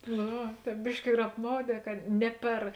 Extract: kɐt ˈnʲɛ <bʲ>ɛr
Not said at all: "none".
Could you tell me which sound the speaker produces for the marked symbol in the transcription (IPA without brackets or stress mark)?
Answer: pʲ